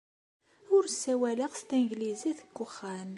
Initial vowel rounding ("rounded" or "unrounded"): rounded